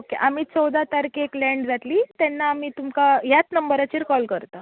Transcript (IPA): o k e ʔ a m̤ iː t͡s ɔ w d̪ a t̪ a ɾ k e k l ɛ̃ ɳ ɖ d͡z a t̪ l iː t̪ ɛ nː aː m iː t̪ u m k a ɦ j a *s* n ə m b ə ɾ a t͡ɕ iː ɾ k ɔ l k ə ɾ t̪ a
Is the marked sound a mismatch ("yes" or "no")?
yes